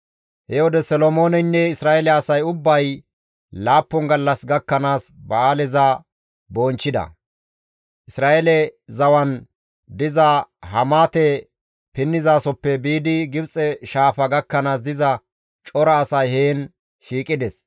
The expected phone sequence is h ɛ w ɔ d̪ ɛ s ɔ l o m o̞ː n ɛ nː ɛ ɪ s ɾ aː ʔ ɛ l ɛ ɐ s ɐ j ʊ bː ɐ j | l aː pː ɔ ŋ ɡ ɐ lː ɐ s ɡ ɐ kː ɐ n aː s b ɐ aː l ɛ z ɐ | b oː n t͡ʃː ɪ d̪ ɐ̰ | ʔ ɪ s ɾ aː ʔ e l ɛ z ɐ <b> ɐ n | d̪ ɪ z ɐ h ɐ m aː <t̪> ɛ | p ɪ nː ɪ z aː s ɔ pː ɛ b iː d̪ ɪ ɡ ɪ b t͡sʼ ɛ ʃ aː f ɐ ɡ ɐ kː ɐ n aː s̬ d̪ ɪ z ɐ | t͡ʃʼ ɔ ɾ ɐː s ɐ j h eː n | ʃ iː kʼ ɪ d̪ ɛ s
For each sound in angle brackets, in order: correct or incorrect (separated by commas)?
incorrect, correct